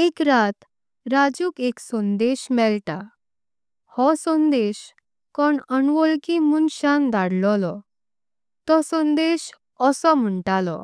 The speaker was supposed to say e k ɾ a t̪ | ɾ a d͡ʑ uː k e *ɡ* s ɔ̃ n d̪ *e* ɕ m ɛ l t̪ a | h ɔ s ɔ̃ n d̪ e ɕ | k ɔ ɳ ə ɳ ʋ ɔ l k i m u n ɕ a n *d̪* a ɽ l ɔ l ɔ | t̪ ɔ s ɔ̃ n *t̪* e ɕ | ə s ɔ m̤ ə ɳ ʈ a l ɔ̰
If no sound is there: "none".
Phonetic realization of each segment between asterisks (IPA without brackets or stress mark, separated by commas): k, e, d̪, d̪